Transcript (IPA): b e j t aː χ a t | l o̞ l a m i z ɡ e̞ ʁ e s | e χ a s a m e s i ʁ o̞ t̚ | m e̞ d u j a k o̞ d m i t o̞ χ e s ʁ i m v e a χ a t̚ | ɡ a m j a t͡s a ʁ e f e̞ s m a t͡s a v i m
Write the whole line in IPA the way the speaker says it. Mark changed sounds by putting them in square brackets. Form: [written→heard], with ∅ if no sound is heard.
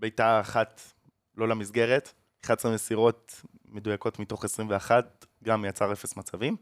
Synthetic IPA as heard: b e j t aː χ a t | l o̞ l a m i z ɡ e̞ ʁ e [s→t] | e χ a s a m e s i ʁ o̞ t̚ | m e̞ d u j a k o̞ [d→t] m i t o̞ χ e s ʁ i m v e a χ a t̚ | ɡ a m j a t͡s a ʁ e f e̞ s m a t͡s a v i m